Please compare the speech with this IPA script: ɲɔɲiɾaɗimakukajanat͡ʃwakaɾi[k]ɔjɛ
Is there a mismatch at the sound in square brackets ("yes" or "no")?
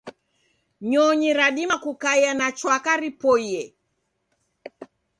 yes